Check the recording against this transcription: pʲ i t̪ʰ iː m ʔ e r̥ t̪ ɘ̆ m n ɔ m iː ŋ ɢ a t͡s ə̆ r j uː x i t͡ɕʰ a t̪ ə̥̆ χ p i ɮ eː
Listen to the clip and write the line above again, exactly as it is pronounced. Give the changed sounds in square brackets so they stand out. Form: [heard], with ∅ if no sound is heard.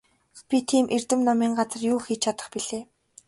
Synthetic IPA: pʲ i t̪ʰ iː m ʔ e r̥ t̪ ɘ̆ m n ɔ m iː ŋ ɢ a t͡s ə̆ r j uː x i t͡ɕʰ a t̪ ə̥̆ χ p i ɮ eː